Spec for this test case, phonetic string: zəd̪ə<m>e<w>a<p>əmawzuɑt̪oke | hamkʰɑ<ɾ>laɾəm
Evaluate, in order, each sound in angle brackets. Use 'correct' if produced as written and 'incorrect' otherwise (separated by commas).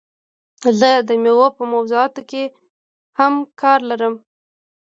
correct, correct, correct, correct